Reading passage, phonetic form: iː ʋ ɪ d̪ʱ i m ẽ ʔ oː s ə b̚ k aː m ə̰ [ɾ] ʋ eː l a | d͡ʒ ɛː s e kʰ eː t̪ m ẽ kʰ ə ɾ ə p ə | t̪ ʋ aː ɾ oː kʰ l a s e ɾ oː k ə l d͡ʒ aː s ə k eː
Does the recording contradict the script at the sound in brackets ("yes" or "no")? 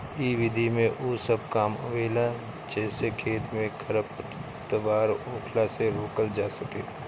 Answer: yes